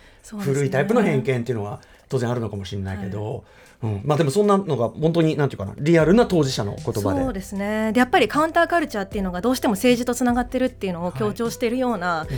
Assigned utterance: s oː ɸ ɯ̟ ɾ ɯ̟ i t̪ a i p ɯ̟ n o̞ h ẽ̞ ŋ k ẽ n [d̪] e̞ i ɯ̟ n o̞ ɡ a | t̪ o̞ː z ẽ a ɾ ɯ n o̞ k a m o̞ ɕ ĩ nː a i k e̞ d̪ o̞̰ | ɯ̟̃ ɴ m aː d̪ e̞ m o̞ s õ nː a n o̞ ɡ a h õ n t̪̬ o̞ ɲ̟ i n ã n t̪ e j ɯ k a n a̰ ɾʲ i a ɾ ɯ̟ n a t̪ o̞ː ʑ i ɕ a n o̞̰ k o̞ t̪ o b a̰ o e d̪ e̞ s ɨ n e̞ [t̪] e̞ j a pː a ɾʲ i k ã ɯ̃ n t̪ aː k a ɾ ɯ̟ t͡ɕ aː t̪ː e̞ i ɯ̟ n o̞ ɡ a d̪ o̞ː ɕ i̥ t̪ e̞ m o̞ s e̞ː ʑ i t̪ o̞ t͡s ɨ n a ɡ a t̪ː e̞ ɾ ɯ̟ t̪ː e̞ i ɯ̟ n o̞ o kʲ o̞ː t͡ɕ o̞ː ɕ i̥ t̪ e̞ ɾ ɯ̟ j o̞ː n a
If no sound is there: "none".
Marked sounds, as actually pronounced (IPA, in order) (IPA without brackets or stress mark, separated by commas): t̪, d̪